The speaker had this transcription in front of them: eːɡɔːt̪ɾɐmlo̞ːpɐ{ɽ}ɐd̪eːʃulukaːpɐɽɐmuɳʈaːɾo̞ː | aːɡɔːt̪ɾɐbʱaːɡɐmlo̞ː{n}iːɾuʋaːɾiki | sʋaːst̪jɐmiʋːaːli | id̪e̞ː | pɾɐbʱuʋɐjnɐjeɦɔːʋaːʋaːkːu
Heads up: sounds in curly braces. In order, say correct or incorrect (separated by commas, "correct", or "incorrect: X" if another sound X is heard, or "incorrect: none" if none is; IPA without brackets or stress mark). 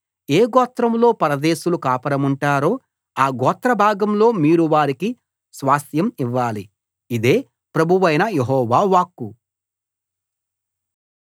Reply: incorrect: ɾ, incorrect: m